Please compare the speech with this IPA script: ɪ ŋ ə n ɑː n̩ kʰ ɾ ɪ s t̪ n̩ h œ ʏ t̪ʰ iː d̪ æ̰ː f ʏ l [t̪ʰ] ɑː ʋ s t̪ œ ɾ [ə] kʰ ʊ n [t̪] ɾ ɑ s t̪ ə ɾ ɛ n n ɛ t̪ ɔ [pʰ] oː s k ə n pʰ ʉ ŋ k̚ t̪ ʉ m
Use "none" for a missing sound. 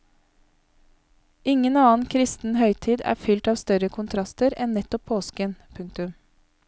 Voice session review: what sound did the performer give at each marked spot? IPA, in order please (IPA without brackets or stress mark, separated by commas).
t̪, ə, t̪ʰ, pʰ